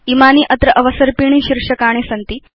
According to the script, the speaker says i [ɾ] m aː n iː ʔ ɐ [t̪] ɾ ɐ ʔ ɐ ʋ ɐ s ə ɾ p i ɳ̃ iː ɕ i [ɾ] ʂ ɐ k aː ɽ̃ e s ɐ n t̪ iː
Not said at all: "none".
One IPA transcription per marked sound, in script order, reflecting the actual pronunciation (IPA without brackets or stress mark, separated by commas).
none, t̪, ɾ